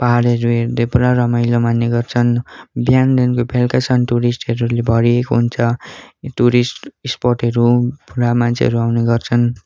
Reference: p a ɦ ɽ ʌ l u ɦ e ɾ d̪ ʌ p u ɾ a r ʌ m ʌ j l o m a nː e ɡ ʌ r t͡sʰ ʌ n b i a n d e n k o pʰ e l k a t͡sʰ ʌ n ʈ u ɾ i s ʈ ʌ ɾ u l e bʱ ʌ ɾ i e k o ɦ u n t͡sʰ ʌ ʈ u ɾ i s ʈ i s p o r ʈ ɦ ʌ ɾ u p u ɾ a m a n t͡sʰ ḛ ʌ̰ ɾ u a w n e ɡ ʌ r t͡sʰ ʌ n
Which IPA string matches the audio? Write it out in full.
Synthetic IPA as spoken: p a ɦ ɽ ʌ ɾ u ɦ e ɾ d̪ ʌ p u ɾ a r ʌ m ʌ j l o m a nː e ɡ ʌ r t͡sʰ ʌ n b j a n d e n k o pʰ e l k a t͡sʰ ʌ n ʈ u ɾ i s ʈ ʌ ɾ u l e bʱ ʌ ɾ i e k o ɦ u n t͡sʰ ʌ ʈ u ɾ i s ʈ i s p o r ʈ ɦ ʌ ɾ u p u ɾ a m a n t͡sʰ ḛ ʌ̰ ɾ u a w n e ɡ ʌ r t͡sʰ ʌ n